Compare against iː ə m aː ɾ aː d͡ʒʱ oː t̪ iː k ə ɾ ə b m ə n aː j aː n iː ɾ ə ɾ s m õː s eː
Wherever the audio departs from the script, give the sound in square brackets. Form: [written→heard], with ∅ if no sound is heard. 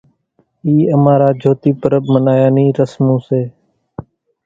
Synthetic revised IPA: iː ə m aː ɾ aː d͡ʒʱ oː t̪ iː [k→p] ə ɾ ə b m ə n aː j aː n iː ɾ ə [ɾ→∅] s m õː s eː